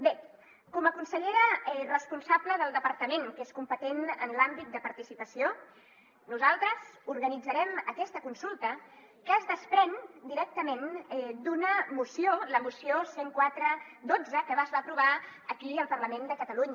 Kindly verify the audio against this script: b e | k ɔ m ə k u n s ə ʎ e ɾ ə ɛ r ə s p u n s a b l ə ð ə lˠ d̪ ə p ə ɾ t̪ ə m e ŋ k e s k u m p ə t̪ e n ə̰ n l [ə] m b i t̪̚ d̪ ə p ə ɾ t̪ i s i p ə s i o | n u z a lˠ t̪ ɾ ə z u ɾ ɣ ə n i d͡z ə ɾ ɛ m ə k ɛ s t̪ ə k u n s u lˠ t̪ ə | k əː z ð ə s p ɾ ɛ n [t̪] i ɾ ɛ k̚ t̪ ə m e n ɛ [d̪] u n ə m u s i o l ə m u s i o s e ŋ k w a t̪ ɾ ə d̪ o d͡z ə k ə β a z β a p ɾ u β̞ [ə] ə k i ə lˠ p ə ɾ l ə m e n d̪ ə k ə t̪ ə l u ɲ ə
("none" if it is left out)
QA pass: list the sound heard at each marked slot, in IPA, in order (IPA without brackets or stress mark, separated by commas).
a, d̪, d̪, a